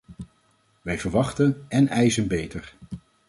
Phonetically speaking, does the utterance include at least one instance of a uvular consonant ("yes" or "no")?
yes